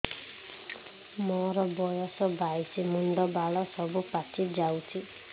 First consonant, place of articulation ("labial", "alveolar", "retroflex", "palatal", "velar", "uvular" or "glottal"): labial